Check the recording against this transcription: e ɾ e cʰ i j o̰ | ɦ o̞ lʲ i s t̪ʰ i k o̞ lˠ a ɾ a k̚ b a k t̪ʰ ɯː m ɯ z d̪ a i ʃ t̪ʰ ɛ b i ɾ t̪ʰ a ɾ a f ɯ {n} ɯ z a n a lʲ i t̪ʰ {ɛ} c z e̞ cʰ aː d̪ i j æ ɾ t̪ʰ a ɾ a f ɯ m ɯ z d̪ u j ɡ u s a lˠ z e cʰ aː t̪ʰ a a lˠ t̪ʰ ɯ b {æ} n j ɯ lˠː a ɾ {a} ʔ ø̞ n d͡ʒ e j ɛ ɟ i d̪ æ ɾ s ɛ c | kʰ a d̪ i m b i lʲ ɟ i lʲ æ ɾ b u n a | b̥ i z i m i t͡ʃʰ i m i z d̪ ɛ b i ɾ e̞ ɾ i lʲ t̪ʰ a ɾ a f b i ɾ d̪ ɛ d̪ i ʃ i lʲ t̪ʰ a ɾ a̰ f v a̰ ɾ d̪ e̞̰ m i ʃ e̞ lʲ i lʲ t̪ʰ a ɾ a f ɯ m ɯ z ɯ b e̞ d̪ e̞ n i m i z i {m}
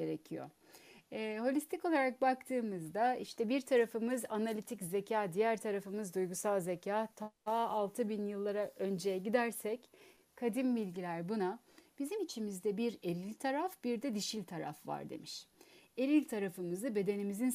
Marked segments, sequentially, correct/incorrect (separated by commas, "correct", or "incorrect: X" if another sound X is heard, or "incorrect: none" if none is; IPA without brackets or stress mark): incorrect: m, incorrect: i, incorrect: i, correct, incorrect: n